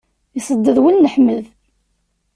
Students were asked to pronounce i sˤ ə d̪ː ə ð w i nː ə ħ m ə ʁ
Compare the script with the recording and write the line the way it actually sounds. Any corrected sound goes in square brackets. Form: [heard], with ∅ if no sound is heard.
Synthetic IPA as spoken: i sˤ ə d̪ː ə ð w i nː ə ħ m ə [ð]